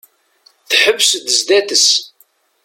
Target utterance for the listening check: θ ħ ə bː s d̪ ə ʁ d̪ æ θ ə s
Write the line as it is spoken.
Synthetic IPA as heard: θ ħ ə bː s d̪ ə z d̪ æ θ ə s